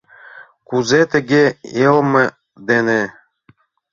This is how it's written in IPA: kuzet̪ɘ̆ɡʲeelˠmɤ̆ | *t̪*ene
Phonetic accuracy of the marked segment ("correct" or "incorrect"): incorrect